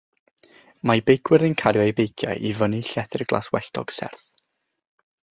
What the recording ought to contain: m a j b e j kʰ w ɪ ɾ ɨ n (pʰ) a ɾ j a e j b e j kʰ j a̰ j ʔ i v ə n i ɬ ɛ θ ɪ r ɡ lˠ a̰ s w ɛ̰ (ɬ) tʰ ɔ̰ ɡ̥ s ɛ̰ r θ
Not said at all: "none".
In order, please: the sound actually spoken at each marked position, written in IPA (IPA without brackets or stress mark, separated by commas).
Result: kʰ, ɬ